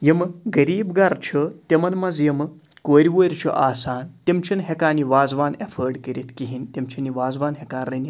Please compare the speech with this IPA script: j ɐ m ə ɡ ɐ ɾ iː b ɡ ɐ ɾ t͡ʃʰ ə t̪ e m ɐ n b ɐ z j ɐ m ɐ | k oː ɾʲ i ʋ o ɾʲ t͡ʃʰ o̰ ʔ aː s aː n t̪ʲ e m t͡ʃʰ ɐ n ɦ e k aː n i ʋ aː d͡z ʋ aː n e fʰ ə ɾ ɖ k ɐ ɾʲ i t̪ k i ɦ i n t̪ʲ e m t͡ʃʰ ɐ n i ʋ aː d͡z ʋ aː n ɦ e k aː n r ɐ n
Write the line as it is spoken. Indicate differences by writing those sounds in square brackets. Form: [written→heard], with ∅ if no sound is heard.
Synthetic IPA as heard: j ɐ m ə ɡ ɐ ɾ iː b ɡ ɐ ɾ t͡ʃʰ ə t̪ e m ɐ n [b→m] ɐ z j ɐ m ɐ | k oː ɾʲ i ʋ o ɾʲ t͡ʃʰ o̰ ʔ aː s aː n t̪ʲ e m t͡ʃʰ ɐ n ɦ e k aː n i ʋ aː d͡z ʋ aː n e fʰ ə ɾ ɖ k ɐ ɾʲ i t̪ k i ɦ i n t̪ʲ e m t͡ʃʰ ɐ n i ʋ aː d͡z ʋ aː n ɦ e k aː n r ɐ n